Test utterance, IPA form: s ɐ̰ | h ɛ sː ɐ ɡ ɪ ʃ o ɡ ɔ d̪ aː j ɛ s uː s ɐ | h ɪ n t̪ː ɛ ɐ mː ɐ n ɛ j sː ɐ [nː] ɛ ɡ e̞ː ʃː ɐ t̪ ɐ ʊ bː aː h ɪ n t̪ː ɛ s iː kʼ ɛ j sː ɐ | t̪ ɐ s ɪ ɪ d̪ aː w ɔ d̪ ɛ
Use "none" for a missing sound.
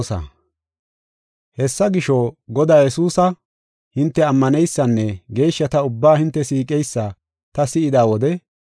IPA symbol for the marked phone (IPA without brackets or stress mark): nː